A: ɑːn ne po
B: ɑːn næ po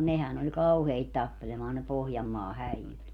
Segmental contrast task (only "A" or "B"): A